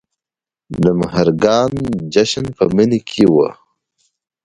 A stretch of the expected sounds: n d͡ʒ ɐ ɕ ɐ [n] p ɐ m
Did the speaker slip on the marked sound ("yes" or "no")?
no